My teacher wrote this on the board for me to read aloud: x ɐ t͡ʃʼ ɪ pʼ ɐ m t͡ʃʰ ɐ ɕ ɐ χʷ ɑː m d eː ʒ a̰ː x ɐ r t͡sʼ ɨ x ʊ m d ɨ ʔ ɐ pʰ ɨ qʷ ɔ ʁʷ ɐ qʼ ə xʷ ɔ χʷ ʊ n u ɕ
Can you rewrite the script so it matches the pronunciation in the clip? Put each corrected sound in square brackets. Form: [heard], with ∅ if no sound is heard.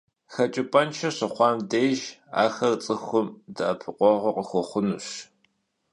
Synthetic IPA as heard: x ɐ t͡ʃʼ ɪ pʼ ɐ [n] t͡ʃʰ ɐ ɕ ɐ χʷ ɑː m d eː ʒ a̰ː x ɐ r t͡sʼ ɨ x ʊ m d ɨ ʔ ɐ pʰ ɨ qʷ ɔ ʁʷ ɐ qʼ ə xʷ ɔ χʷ ʊ n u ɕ